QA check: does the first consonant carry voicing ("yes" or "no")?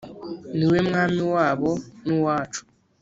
yes